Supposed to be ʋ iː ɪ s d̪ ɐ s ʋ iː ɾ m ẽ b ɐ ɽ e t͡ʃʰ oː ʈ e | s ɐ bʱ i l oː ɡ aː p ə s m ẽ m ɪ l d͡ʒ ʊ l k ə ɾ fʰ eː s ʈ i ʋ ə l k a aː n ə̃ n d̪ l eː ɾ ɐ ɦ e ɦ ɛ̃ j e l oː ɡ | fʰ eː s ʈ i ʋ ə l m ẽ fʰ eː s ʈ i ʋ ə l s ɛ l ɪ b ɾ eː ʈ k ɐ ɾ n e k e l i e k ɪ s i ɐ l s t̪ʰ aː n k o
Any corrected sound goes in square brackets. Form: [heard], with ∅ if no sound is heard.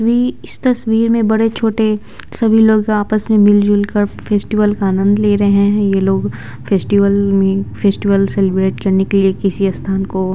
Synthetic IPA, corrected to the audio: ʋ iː ɪ s [t̪] ɐ s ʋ iː ɾ m ẽ b ɐ ɽ e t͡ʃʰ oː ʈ e | s ɐ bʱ i l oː ɡ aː p ə s m ẽ m ɪ l d͡ʒ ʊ l k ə ɾ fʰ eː s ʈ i ʋ ə l k a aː n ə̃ n d̪ l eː ɾ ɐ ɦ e ɦ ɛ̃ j e l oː ɡ | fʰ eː s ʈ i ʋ ə l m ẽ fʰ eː s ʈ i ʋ ə l s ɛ l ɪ b ɾ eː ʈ k ɐ ɾ n e k e l i e k ɪ s i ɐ [∅] s t̪ʰ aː n k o